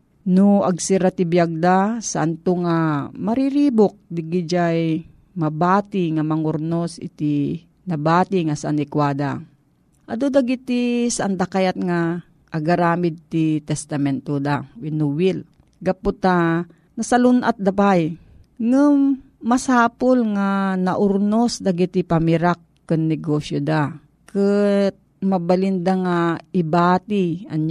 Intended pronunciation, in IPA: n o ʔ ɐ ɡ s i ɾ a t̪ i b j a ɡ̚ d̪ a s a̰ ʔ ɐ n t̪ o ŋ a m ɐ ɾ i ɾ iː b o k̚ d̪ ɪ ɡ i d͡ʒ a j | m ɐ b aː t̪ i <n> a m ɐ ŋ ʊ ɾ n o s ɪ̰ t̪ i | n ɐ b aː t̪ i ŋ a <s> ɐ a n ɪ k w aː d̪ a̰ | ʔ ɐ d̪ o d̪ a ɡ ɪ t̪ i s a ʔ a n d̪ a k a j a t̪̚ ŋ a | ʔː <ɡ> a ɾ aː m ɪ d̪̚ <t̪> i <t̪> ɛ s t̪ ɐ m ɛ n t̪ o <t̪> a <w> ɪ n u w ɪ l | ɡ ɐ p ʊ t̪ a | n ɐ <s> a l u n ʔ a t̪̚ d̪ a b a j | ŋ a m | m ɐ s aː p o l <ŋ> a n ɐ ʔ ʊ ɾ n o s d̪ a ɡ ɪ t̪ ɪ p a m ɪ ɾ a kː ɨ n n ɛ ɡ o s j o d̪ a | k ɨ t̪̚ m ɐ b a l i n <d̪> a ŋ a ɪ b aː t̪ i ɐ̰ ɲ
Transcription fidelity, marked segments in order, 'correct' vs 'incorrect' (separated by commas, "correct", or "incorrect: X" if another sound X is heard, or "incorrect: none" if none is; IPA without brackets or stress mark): incorrect: ŋ, correct, correct, correct, correct, incorrect: d̪, correct, correct, correct, correct